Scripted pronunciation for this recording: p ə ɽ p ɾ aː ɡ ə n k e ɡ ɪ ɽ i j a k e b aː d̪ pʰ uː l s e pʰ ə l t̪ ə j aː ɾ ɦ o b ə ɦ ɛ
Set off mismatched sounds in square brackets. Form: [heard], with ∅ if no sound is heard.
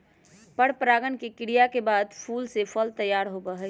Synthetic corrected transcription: p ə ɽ p ɾ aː ɡ ə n k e [k] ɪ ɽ i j a k e b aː d̪ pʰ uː l s e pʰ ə l t̪ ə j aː ɾ ɦ o b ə ɦ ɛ